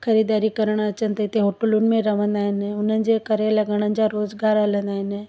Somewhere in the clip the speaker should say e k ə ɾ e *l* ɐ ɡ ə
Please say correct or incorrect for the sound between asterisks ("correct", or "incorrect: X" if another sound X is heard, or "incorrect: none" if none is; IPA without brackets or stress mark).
correct